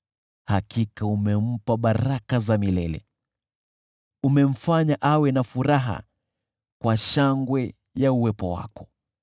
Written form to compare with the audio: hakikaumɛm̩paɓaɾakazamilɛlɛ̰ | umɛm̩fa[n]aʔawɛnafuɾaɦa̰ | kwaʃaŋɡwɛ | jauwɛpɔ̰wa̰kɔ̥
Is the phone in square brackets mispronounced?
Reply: yes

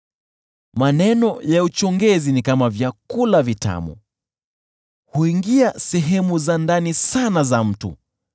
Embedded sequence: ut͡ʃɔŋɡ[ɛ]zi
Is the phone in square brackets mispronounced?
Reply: no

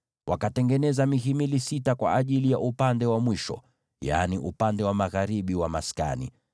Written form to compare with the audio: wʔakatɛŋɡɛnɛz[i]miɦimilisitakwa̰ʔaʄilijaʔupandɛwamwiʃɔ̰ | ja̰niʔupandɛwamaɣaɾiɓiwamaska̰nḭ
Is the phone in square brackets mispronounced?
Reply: yes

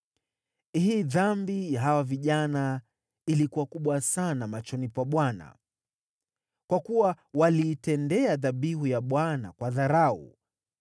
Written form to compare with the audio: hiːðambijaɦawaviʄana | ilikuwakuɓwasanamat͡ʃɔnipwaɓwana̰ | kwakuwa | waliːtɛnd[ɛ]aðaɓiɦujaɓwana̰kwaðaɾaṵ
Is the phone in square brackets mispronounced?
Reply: no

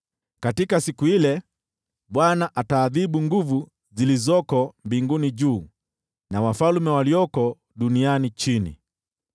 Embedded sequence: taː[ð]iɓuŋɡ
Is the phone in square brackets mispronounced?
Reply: no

